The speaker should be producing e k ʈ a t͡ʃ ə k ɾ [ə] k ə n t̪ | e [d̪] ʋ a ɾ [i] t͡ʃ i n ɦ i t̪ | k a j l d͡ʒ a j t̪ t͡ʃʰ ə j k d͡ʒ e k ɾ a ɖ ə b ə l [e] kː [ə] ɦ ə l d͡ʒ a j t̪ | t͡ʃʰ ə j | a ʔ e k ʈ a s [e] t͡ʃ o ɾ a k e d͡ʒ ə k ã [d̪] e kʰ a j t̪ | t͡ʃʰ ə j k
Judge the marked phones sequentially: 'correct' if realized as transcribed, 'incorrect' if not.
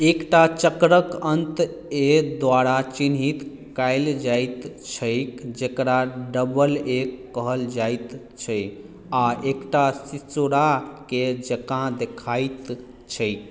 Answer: correct, correct, incorrect: a, correct, correct, incorrect: i, correct

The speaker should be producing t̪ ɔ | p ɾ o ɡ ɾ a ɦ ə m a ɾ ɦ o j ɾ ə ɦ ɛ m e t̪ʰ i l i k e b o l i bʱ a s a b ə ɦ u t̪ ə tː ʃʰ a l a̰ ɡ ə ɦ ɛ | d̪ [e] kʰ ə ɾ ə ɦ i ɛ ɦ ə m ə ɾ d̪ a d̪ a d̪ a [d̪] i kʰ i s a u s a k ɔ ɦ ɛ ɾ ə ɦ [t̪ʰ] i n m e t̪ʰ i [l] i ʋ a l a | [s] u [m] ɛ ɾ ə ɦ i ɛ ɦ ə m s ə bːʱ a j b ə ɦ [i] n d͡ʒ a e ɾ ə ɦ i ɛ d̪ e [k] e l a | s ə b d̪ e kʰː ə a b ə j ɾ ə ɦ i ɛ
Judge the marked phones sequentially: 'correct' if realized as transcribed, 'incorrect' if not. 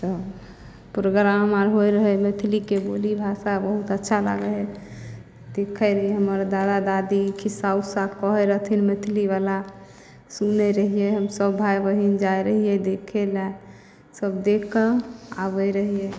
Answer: correct, correct, correct, correct, correct, incorrect: n, correct, incorrect: kʰ

